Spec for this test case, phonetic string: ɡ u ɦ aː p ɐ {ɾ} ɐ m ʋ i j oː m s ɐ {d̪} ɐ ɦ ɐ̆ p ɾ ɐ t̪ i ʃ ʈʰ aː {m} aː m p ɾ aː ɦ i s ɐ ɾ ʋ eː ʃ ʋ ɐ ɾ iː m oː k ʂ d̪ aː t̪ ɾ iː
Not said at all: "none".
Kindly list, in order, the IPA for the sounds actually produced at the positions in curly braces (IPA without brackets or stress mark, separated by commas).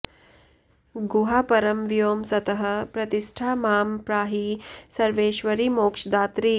ɾ, t̪, m